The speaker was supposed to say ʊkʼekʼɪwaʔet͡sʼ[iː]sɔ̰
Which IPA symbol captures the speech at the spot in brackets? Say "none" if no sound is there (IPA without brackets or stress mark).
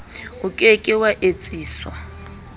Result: iː